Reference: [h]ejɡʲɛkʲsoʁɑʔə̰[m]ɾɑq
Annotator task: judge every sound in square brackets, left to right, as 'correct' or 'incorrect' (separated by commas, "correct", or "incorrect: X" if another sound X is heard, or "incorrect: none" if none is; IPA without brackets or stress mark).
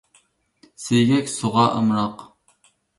incorrect: s, correct